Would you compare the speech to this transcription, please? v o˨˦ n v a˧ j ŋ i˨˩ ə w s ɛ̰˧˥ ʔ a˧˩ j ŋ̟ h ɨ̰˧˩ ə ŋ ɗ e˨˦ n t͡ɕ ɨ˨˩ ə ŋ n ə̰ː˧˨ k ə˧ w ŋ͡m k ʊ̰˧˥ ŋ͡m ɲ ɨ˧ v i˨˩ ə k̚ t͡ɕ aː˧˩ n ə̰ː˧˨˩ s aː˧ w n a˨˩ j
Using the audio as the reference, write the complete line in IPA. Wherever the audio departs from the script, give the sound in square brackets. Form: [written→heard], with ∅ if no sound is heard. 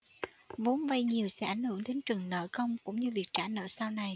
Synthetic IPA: v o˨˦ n v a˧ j [ŋ→ɲ] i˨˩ ə w s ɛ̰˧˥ ʔ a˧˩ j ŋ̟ h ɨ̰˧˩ ə ŋ ɗ e˨˦ n t͡ɕ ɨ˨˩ ə ŋ n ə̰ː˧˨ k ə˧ w ŋ͡m k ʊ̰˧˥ ŋ͡m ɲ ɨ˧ v i˨˩ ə k̚ t͡ɕ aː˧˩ n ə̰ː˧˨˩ s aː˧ w n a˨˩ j